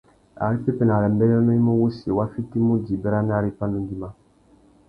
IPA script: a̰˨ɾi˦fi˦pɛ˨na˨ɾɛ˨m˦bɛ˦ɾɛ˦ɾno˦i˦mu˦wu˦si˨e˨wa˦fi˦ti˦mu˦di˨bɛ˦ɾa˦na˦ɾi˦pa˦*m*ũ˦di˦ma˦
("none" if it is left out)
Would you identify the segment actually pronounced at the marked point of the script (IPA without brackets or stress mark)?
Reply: n